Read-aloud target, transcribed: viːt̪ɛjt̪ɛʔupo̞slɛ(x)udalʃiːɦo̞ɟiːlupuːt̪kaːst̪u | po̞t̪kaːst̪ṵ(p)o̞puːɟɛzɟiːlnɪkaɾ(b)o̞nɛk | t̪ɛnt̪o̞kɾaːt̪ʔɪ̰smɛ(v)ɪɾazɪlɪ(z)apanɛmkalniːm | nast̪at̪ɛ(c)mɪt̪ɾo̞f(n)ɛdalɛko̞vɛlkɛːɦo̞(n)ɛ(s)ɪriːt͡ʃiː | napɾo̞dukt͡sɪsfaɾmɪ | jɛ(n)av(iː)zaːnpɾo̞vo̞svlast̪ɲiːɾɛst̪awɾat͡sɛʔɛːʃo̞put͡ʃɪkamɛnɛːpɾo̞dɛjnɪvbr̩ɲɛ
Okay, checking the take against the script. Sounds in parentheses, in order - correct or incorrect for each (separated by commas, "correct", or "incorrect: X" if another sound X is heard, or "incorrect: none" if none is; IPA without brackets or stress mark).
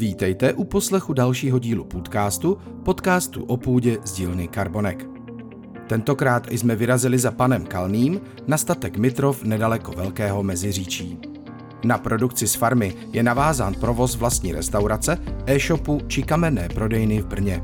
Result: correct, incorrect: ʔ, correct, correct, correct, incorrect: k, correct, incorrect: m, incorrect: z, correct, incorrect: aː